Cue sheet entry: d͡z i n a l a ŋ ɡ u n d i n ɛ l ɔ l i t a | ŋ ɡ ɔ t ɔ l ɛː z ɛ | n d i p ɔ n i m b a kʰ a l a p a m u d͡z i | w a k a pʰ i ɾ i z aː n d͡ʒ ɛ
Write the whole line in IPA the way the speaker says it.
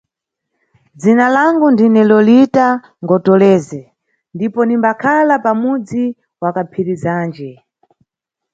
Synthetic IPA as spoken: d͡z i n a l a ŋ ɡ u n d i n ɛ l ɔ l i t a | ŋ ɡ ɔ t ɔ l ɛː z ɛ | n d i p ɔ n i m b a kʰ a l a p a m u d͡z i | w a k a pʰ i ɾ i z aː n d͡ʒ ɛ